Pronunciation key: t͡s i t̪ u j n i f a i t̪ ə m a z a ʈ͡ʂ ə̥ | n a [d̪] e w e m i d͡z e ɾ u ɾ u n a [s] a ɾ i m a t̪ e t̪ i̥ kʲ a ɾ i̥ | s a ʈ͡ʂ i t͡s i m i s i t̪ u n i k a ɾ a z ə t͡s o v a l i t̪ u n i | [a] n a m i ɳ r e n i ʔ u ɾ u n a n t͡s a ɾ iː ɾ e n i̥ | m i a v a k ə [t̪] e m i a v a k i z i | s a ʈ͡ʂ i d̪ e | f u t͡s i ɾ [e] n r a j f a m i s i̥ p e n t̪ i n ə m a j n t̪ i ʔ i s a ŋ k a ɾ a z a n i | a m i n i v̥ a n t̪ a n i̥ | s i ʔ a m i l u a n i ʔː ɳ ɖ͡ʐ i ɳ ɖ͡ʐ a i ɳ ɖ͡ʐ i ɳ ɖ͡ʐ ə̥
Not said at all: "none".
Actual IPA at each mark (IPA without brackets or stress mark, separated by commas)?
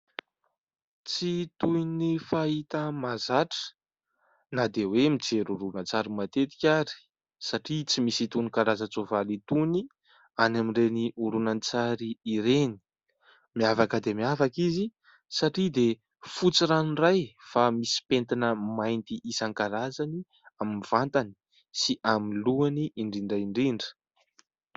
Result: d̪, t͡s, a, d̪, a